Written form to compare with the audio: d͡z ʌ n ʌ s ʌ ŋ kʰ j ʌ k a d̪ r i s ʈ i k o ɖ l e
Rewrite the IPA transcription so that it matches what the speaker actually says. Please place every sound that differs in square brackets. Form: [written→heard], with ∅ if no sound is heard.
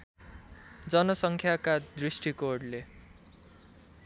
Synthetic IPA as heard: d͡z ʌ n ʌ s ʌ ŋ kʰ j [ʌ→a] k a d̪ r i s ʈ i k o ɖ l e